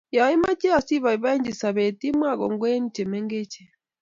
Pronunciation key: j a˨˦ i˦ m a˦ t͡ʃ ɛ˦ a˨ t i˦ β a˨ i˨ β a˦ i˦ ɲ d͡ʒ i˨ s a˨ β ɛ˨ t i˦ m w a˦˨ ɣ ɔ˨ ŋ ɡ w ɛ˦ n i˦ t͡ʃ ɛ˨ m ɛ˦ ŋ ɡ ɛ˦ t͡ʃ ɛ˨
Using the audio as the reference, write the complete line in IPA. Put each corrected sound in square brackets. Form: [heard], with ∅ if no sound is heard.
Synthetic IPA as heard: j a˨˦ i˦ m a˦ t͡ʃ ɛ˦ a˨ [s] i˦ β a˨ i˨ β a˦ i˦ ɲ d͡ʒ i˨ s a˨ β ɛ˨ t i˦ m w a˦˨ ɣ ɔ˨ ŋ ɡ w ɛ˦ n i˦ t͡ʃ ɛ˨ m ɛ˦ ŋ ɡ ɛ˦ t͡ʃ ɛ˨